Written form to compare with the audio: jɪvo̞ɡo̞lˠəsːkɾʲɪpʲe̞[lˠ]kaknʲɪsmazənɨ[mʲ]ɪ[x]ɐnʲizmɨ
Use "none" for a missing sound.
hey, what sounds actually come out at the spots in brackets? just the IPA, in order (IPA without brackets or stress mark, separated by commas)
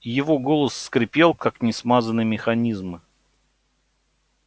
lˠ, mʲ, x